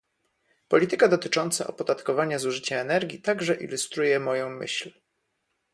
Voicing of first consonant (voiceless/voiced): voiceless